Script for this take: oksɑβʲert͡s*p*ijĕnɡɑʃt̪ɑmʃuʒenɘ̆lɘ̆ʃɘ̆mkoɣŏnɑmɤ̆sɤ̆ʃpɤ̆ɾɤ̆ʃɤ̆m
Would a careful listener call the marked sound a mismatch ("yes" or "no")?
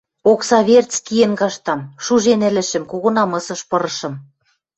yes